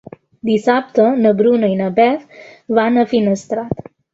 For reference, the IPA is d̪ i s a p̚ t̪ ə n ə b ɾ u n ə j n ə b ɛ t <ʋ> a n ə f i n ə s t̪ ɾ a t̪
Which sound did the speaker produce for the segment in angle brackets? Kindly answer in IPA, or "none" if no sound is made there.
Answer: ʋ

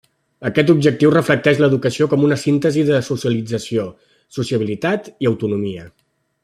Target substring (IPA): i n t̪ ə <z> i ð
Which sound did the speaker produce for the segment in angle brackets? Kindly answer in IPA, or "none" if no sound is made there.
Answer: z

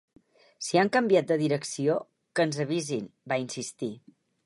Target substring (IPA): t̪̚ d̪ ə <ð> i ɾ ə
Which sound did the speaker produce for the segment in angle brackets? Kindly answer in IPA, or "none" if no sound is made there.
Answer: ð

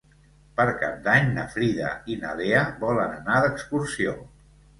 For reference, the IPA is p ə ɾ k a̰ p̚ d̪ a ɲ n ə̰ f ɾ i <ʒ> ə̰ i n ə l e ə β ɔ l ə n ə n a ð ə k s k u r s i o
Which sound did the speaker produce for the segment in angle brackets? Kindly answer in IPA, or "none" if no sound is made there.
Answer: ð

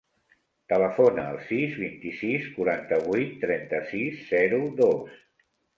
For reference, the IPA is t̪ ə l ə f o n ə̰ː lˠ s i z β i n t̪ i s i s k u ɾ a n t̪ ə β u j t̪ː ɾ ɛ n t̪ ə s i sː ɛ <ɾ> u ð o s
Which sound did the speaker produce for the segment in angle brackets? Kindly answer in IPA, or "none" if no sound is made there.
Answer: ɾ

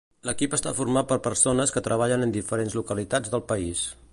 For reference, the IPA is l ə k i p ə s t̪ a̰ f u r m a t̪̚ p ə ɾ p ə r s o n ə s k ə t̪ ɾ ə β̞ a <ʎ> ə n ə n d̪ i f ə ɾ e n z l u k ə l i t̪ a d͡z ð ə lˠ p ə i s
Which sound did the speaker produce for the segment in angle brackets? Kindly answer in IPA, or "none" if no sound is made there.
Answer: ʎ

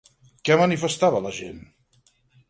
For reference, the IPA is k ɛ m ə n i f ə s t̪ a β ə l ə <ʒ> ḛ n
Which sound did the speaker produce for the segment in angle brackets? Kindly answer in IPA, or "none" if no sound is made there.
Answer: ʒ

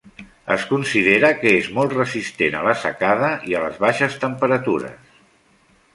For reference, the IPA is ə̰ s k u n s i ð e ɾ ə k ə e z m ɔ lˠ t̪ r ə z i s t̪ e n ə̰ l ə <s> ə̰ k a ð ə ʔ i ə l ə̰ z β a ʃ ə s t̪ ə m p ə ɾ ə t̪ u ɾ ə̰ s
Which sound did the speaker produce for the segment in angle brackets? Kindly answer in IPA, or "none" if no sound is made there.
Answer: s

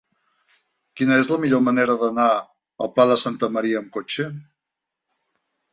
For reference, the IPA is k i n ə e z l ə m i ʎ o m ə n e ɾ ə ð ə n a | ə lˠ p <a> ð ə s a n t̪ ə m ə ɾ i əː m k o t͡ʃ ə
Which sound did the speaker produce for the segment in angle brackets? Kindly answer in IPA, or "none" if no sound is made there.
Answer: a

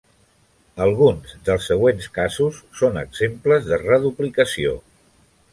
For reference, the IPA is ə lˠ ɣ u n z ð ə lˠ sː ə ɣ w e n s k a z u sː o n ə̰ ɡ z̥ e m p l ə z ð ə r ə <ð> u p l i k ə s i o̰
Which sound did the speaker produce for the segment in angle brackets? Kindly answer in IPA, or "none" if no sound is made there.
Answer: ð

